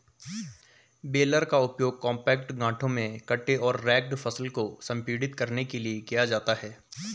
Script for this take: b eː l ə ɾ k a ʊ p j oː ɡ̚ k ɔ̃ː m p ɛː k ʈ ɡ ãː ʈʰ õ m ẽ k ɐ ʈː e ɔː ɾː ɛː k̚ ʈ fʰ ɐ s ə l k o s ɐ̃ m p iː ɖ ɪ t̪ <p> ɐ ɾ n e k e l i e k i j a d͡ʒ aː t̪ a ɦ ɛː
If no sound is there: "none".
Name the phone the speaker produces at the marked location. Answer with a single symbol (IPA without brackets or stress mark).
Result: k